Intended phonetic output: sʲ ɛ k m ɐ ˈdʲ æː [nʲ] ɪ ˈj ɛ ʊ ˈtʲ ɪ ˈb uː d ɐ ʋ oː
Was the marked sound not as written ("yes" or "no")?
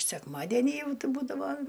no